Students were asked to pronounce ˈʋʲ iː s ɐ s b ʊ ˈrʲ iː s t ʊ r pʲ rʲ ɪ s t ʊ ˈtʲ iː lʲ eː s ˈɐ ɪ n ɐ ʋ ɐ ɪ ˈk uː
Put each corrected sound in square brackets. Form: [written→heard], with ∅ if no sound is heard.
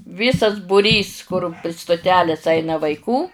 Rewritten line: ˈʋʲ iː s ɐ s b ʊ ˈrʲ iː s [t→k] ʊ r pʲ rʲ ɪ s t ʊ ˈtʲ [iː→æː] lʲ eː s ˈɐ ɪ n ɐ ʋ ɐ ɪ ˈk uː